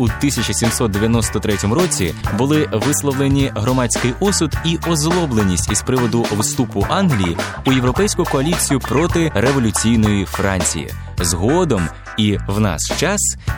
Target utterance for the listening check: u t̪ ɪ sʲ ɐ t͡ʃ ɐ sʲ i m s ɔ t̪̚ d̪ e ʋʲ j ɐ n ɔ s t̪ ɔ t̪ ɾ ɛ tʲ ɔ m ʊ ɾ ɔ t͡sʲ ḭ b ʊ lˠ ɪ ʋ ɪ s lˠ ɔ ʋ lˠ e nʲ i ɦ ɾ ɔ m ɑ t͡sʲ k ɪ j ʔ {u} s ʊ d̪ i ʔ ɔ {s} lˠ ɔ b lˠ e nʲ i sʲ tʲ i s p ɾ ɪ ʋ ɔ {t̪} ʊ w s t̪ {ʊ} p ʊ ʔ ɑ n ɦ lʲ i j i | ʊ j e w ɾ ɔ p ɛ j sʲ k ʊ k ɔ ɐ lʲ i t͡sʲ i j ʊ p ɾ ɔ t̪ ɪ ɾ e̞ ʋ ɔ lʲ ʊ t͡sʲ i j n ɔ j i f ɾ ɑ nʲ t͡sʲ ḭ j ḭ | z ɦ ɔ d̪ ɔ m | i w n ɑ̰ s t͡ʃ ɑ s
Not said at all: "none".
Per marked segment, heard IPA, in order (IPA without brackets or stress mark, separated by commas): ɔ, z, d̪, u